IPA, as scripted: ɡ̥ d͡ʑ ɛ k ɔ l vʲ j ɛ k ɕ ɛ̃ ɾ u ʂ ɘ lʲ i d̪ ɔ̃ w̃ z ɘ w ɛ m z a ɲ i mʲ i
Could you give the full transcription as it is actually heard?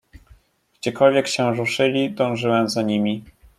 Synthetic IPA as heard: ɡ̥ d͡ʑ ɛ k ɔ l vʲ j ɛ k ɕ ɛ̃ ɾ u ʂ ɘ lʲ i d̪ ɔ̃ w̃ ʐ ɘ w ɛ m z a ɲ i mʲ i